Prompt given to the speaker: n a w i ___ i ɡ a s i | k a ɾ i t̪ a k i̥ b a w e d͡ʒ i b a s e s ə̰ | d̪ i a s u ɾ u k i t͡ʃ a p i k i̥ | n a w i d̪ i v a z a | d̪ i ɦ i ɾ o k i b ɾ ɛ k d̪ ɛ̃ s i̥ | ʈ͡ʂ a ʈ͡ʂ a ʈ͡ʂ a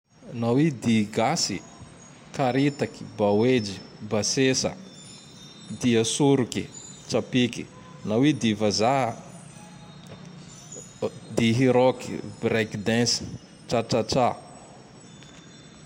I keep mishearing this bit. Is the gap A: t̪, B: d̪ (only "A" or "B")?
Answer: B